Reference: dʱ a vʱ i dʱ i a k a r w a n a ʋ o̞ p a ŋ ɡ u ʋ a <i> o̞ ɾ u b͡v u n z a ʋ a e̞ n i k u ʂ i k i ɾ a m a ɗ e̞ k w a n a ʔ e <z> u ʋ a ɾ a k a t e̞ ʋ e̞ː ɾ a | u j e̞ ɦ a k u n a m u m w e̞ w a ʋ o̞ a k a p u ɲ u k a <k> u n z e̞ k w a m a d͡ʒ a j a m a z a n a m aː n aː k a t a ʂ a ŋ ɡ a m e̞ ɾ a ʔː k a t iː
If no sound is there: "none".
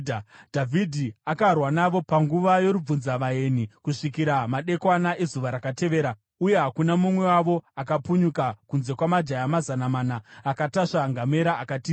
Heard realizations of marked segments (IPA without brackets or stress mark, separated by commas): j, z, k